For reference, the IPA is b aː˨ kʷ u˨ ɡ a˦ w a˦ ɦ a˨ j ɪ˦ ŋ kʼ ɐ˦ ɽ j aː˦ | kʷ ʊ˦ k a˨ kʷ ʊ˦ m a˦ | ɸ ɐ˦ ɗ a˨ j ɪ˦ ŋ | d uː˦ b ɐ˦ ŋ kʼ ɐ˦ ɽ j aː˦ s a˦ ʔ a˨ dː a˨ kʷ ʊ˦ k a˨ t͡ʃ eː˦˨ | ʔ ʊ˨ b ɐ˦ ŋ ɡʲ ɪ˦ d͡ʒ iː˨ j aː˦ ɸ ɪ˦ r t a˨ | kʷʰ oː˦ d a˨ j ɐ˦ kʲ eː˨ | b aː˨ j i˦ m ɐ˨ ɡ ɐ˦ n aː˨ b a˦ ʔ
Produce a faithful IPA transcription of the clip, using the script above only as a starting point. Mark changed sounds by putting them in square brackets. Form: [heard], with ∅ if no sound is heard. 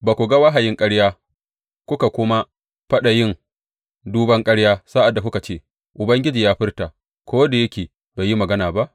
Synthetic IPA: b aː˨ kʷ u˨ ɡ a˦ w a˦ ɦ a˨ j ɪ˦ ŋ kʼ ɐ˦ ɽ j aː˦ | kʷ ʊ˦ k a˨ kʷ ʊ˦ m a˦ | ɸ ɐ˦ ɗ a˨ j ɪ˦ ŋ | d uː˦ b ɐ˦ ŋ kʼ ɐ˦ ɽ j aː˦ s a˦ ʔ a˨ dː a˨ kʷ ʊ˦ k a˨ t͡ʃ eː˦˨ | ʔ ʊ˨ b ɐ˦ ŋ ɡʲ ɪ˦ d͡ʒ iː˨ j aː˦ ɸ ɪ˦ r t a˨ | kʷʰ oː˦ d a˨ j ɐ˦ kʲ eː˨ | b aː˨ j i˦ m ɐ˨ ɡ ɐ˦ n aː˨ b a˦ ʔ